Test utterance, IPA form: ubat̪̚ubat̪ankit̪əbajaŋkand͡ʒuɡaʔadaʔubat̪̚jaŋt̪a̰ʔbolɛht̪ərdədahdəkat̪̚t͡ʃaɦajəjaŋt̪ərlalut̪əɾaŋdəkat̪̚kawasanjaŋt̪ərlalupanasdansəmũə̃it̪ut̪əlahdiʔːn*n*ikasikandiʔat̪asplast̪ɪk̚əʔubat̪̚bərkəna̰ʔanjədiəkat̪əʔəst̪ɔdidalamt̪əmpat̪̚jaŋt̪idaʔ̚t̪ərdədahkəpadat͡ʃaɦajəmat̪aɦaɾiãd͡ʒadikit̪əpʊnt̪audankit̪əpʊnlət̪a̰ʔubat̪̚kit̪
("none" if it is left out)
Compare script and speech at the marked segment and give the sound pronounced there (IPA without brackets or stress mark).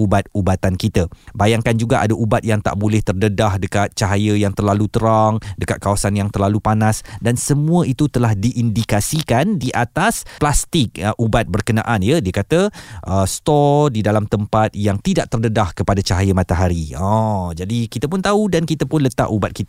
d